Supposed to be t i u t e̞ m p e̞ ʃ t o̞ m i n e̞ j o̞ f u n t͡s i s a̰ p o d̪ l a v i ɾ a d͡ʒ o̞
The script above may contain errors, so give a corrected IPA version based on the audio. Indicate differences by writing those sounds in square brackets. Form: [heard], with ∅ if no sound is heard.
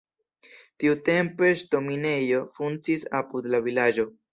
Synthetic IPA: t i u t e̞ m p e̞ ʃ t o̞ m i n e̞ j o̞ f u n t͡s i s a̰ p [u] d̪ l a v i [l] a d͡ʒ o̞